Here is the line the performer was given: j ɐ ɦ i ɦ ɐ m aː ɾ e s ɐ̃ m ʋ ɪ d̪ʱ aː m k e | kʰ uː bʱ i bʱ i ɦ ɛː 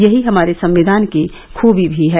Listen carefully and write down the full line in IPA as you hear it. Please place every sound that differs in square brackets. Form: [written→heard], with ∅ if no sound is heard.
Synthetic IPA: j ɐ ɦ i ɦ ɐ m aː ɾ e s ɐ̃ m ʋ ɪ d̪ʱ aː [m→n] k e | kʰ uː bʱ i bʱ i ɦ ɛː